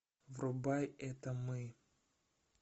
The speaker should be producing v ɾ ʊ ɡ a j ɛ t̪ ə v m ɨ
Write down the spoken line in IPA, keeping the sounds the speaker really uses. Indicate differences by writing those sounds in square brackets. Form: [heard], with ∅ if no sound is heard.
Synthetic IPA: v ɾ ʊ [b] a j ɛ t̪ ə [∅] m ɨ